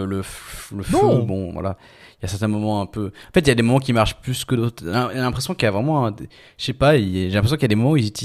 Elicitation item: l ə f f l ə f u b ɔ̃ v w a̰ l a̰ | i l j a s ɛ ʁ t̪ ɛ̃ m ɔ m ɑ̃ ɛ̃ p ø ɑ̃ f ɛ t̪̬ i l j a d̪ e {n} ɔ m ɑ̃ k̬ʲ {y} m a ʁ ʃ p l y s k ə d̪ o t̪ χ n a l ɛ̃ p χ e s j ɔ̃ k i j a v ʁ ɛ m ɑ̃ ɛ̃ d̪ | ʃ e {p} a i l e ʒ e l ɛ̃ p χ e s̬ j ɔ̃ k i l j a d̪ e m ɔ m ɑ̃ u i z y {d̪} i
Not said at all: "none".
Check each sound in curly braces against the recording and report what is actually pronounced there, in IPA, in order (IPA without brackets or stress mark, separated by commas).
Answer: m, i, p, t̪